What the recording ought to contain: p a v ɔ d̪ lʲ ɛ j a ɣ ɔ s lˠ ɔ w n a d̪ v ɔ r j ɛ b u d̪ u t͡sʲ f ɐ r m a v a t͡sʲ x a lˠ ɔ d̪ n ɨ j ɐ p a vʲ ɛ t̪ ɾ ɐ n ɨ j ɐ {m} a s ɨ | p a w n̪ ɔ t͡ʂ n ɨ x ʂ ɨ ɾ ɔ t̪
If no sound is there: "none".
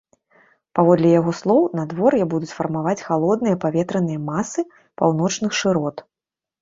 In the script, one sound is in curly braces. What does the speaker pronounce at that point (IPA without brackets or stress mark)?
m